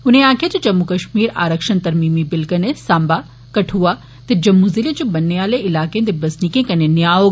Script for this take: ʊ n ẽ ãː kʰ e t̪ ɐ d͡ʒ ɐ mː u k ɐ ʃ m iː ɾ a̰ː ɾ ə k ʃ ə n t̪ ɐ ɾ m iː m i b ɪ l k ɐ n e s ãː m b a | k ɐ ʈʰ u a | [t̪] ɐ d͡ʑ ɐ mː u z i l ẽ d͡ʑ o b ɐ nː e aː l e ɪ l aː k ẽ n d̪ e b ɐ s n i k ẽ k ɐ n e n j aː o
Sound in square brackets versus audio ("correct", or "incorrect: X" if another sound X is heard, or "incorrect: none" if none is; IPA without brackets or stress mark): correct